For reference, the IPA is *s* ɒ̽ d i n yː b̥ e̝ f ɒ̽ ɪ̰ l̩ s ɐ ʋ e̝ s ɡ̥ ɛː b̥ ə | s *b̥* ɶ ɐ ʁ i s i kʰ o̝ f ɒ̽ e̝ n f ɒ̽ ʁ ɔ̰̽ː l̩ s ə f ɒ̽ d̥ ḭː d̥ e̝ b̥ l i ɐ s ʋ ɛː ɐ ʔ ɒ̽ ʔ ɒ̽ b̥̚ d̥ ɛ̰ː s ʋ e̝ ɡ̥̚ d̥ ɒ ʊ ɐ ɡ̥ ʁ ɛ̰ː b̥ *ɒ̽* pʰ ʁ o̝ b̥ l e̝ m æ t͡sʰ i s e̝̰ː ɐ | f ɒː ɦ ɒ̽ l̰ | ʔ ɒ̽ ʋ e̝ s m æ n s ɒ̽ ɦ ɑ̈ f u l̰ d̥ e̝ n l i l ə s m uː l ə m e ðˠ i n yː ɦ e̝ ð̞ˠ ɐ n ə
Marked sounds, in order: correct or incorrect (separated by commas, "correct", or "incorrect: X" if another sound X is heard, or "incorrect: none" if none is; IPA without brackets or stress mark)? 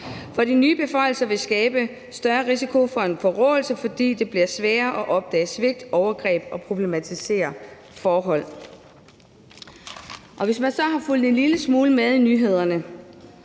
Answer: incorrect: f, incorrect: d̥, correct